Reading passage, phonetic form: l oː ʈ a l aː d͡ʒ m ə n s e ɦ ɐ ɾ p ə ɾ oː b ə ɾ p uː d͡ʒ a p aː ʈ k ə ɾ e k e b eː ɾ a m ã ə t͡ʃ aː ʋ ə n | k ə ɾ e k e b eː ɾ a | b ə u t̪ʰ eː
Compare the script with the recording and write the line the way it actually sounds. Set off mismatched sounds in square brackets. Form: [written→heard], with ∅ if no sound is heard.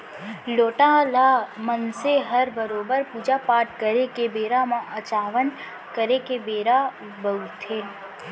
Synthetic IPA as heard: l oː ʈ a l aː [d͡ʒ→∅] m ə n s e ɦ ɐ ɾ [p→b] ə ɾ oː b ə ɾ p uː d͡ʒ a p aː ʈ k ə ɾ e k e b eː ɾ a m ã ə t͡ʃ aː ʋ ə n | k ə ɾ e k e b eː ɾ a | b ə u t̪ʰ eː